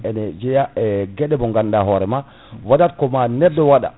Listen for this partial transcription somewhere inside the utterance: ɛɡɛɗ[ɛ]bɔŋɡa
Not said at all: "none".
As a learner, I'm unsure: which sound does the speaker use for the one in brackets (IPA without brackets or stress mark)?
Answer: ɛ